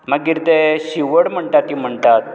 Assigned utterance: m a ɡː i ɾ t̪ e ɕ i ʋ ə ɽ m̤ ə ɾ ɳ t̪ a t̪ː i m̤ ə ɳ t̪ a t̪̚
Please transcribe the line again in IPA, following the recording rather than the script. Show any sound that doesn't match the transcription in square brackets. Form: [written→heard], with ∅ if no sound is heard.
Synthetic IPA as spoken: m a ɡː i ɾ t̪ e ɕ i ʋ ə ɽ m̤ ə [ɾ→∅] ɳ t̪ a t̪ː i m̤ ə ɳ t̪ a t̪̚